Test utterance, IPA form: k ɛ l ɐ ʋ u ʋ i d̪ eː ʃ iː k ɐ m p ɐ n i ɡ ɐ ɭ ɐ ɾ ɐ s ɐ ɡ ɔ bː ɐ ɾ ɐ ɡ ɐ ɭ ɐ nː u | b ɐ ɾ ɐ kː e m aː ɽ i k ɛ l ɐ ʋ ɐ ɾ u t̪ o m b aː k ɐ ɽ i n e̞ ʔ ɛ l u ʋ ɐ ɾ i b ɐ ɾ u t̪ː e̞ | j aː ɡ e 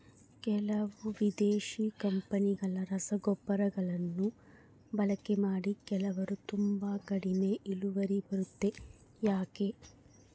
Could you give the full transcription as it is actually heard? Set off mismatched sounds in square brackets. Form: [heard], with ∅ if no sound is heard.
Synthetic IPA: k ɛ l ɐ ʋ u ʋ i d̪ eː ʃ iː k ɐ m p ɐ n i ɡ ɐ ɭ ɐ ɾ ɐ s ɐ ɡ ɔ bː ɐ ɾ ɐ ɡ ɐ ɭ ɐ nː u | b ɐ [l] ɐ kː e m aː ɽ i k ɛ l ɐ ʋ ɐ ɾ u t̪ [u] m b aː k ɐ ɽ i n e̞ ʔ [i] l u ʋ ɐ ɾ i b ɐ ɾ u t̪ː e̞ | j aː [k] e